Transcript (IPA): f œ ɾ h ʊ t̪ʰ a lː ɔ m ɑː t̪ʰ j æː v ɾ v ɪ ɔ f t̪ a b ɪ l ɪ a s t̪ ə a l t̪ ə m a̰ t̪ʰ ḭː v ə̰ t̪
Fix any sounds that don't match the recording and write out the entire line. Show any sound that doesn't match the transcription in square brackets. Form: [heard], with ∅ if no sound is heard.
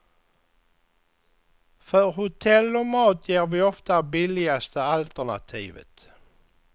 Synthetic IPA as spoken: f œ ɾ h ʊ t̪ʰ [ɛ] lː ɔ m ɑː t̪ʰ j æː [∅] ɾ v ɪ ɔ f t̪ a b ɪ l ɪ a s t̪ ə a l t̪ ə [ɳ] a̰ t̪ʰ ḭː v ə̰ t̪